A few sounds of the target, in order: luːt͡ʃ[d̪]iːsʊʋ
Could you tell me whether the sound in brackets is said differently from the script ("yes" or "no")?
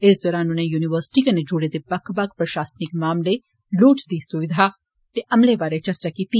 no